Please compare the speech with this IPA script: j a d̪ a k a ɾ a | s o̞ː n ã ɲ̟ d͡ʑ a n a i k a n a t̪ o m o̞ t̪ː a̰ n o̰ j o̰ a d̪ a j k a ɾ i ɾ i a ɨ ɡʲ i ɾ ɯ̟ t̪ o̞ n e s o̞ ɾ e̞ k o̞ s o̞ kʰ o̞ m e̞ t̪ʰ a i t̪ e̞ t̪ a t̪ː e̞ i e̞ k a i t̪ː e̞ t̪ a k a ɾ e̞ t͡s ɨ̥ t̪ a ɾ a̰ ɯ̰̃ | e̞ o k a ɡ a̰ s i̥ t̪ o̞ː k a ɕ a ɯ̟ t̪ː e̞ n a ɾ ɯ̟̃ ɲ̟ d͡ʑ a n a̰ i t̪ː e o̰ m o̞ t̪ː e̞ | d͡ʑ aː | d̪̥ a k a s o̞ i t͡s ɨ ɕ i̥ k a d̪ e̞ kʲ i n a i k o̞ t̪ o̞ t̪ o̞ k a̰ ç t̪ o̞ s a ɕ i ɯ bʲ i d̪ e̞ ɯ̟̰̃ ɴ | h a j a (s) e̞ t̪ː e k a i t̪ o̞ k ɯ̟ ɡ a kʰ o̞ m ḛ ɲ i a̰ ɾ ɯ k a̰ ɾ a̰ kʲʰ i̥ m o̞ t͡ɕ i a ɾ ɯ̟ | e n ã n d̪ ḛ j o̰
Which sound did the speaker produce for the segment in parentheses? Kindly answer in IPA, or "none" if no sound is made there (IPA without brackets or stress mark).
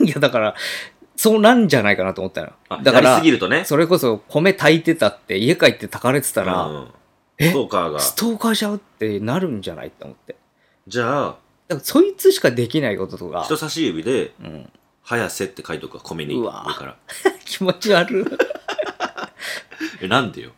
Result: s